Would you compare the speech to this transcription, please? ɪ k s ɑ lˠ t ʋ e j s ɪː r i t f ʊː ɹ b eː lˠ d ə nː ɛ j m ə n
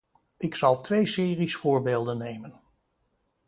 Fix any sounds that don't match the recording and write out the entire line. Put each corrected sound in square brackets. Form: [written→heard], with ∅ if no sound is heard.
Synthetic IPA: ɪ k s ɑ lˠ t ʋ e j s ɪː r i [t→s] f ʊː ɹ b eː lˠ d ə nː [ɛ→e] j m ə n